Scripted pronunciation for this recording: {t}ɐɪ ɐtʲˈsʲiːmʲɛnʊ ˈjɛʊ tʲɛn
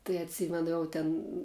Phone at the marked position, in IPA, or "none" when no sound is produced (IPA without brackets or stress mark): t